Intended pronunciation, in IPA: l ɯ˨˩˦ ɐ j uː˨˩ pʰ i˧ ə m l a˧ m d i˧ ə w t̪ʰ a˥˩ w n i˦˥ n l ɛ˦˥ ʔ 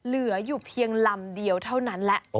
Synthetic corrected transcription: l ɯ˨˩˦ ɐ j uː˨˩ pʰ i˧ ə ŋ l a˧ m d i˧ ə w t̪ʰ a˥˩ w n a˦˥ n l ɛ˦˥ ʔ

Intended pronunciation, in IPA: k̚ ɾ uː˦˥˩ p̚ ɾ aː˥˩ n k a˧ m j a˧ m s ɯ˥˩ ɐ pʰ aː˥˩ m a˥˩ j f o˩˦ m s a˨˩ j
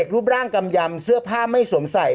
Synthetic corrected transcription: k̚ ɾ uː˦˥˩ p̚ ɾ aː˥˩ ŋ k a˧ m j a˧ m s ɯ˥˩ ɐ pʰ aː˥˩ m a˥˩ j s o˩˦ m s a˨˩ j

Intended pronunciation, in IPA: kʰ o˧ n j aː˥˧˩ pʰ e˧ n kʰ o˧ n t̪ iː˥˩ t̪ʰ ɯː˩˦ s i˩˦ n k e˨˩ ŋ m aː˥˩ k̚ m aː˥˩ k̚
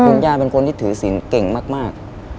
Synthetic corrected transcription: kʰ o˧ n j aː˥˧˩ p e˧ n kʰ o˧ n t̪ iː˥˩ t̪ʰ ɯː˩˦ s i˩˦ n k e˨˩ ŋ m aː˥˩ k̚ m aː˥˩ k̚

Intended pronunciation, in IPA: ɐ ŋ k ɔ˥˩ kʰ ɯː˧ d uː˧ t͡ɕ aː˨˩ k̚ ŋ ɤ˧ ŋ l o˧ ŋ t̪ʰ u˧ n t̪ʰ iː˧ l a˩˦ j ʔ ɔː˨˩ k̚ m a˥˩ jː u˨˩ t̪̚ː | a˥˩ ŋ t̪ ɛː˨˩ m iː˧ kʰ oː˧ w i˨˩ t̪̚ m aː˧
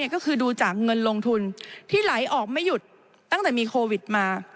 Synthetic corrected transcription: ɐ k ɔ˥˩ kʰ ɯː˧ d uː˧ t͡ɕ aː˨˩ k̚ ŋ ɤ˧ n l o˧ ŋ t̪ʰ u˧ n t̪ʰ iː˥˩ l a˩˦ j ʔ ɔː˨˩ k̚ m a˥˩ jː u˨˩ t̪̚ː | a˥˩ ŋ t̪ ɛː˨˩ m iː˧ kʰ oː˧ w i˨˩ t̪̚ m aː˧

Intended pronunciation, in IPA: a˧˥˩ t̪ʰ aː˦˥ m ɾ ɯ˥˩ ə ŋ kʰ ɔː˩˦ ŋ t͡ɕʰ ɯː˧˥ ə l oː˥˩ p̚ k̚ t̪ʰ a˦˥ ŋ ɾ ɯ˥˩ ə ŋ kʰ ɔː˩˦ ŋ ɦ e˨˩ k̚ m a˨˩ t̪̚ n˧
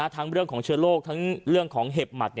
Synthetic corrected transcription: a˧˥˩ t̪ʰ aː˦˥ ŋ ɾ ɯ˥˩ ə ŋ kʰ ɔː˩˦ ŋ t͡ɕʰ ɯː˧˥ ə l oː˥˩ k̚ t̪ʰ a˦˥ ŋ ɾ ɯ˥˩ ə ŋ kʰ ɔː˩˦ ŋ ɦ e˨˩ p̚ m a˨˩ t̪̚ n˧

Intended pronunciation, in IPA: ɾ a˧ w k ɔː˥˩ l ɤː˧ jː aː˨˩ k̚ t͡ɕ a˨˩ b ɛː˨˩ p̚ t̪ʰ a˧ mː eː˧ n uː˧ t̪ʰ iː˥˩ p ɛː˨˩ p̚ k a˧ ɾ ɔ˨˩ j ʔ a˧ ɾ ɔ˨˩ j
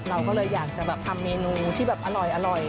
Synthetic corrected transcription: ɾ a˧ w k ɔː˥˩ l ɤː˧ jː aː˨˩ k̚ t͡ɕ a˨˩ b ɛː˨˩ p̚ t̪ʰ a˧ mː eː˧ n uː˧ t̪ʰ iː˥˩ b ɛː˨˩ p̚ ʔ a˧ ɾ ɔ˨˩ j ʔ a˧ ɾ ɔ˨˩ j

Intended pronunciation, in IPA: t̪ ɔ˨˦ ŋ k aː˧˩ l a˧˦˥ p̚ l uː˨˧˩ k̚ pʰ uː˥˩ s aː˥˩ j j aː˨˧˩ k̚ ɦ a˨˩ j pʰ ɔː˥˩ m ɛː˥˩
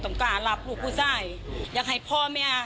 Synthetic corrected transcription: t̪ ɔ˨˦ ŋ k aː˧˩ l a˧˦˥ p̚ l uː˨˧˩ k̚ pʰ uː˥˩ s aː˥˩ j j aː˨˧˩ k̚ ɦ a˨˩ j pʰ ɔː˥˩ m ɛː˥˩

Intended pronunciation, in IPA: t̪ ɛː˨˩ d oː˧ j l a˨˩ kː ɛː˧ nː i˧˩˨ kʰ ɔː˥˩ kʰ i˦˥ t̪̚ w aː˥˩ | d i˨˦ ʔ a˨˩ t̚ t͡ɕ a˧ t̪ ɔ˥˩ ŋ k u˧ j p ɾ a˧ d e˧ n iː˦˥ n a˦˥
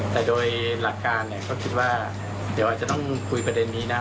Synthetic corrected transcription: t̪ ɛː˨˩ d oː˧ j l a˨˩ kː aː˧ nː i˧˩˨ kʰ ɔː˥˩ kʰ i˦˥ t̪̚ w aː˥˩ | d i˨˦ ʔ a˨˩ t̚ t͡ɕ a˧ t̪ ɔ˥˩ ŋ kʰ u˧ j p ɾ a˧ d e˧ nː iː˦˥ n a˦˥

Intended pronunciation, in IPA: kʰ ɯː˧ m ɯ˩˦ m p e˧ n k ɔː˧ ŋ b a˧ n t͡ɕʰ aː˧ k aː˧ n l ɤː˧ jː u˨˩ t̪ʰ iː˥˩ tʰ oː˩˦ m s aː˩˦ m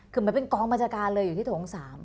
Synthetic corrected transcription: kʰ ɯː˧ m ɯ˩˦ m p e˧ n k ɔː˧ ŋ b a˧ n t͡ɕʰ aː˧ k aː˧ n l ɤː˧ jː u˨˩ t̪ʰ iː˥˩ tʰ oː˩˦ ŋ s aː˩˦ m

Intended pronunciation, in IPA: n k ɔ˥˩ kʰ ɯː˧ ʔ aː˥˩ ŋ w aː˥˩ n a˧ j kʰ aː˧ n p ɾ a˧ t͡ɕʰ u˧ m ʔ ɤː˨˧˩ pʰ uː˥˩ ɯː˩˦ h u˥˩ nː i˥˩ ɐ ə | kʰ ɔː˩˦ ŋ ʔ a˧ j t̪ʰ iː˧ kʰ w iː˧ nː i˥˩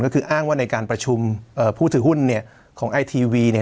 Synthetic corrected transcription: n k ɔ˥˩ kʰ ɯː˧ ʔ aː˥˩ ŋ w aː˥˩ n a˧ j k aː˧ n p ɾ a˧ t͡ɕʰ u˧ m ʔ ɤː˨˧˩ pʰ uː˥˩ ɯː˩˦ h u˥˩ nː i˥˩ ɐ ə | kʰ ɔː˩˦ ŋ ʔ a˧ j t̪ʰ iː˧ w iː˧ n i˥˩

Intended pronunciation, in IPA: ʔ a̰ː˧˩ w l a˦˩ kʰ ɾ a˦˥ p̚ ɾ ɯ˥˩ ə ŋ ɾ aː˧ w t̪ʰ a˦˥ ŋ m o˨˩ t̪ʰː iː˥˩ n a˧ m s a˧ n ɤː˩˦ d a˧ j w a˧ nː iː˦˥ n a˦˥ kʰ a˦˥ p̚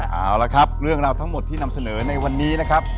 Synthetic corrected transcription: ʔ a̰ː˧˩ w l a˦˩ kʰ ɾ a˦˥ p̚ ɾ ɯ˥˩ ə ŋ ɾ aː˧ w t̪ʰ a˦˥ ŋ m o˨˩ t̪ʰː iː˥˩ n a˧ m s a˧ n ɤː˩˦ n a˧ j w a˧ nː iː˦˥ n a˦˥ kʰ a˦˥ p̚

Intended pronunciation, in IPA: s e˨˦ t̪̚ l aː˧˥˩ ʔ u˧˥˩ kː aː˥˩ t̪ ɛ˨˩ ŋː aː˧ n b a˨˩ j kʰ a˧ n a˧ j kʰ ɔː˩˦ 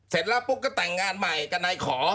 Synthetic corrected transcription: s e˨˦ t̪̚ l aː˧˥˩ p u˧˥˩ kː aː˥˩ t̪ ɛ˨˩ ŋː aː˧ n m a˨˩ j k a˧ n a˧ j kʰ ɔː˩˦

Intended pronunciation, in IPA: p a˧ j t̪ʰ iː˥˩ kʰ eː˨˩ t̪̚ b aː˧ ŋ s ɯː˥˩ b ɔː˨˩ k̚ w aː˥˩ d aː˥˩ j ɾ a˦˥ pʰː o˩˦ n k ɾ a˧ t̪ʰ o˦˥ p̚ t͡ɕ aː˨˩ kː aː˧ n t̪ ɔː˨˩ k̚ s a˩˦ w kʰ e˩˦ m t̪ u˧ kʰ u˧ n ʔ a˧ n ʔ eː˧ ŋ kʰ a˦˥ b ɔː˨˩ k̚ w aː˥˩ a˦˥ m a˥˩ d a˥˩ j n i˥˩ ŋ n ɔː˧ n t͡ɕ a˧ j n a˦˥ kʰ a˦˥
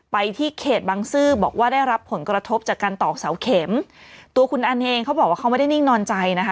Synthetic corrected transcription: p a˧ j t̪ʰ iː˥˩ kʰ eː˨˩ t̪̚ b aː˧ ŋ s ɯː˥˩ b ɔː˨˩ k̚ w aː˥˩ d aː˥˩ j ɾ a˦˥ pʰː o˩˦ n k ɾ a˧ t̪ʰ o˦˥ p̚ t͡ɕ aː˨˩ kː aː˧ n t̪ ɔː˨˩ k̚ s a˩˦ w kʰ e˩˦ m t̪ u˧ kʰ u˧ n ʔ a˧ n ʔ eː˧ ŋ kʰ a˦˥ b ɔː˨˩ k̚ w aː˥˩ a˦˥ m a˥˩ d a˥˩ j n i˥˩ ŋ n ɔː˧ n t͡ɕ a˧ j n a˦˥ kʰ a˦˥

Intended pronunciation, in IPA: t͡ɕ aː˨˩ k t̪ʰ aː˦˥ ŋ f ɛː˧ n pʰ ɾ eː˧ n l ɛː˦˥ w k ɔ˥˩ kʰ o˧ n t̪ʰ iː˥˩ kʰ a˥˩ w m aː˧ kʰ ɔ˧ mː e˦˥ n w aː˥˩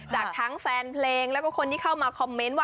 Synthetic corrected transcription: t͡ɕ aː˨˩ k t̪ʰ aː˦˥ ŋ f ɛː˧ n pʰ l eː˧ ŋ l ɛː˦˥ w k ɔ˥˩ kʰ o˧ n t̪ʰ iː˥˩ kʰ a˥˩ w m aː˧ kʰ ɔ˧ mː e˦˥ n w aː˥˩

